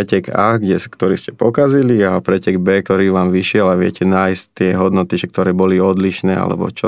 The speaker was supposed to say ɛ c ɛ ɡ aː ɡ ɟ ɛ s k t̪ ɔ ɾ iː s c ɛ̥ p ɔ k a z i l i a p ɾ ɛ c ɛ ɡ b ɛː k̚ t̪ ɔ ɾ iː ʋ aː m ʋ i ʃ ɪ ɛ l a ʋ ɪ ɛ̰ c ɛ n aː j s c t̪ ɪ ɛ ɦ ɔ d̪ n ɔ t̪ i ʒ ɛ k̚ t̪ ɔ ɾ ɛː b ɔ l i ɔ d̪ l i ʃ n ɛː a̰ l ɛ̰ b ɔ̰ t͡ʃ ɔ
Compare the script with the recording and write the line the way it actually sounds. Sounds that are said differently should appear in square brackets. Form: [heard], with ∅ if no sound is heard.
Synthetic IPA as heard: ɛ c ɛ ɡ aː ɡ ɟ ɛ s k t̪ ɔ ɾ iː s c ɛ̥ p ɔ k a z i l i a p ɾ ɛ c ɛ ɡ b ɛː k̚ t̪ ɔ ɾ iː ʋ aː m ʋ i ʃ ɪ ɛ l a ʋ ɪ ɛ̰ c ɛ n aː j s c t̪ ɪ ɛ ɦ ɔ d̪ n ɔ t̪ i ʒ ɛ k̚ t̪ ɔ ɾ ɛː b ɔ l i ɔ d̪ l i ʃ n ɛː a̰ l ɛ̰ b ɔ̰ t͡ʃ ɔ